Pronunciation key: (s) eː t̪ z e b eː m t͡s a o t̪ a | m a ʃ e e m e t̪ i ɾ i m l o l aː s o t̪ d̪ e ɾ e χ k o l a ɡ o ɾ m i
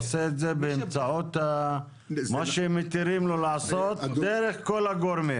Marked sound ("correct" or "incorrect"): correct